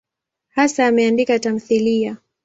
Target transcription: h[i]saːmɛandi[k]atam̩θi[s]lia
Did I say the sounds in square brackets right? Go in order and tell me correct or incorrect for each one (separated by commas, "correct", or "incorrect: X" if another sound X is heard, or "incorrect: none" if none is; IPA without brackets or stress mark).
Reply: incorrect: a, correct, incorrect: none